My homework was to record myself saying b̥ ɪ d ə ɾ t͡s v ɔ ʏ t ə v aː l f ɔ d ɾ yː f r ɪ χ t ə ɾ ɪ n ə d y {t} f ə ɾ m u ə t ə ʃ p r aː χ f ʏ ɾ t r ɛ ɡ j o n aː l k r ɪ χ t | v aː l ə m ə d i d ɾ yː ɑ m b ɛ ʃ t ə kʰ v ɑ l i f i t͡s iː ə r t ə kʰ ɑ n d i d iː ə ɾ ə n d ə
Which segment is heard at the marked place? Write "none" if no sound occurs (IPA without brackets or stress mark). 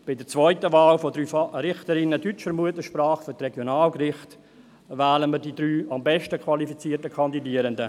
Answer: t͡ʃ